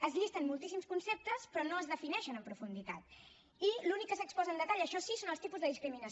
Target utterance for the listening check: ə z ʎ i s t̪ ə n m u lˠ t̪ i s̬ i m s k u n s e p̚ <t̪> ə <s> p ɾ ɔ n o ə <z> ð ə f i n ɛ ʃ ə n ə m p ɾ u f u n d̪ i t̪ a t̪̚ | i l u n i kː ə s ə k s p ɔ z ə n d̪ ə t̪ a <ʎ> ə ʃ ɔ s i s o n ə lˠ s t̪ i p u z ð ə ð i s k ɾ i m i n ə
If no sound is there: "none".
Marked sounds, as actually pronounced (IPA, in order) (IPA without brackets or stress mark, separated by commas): t̪, s, z, ʎ